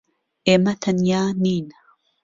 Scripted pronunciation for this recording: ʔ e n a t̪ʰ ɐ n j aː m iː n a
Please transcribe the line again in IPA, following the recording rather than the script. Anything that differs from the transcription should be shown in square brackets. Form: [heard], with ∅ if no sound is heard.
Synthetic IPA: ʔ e [m] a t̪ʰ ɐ n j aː [n] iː n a